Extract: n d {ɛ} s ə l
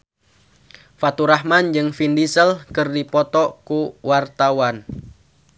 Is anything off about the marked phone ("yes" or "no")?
yes